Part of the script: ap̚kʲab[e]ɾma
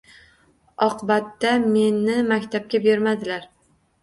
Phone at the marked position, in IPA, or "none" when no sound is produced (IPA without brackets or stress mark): e